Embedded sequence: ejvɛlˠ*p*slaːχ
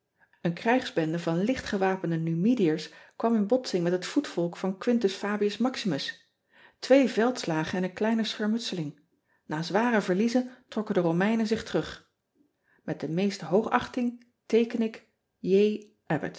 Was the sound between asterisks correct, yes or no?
no